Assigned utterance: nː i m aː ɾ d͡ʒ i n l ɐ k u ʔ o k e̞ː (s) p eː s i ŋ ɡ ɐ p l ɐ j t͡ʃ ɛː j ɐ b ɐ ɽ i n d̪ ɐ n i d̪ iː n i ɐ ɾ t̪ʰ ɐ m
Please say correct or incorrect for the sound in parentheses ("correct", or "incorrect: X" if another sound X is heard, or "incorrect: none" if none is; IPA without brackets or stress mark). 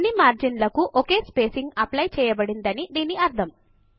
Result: correct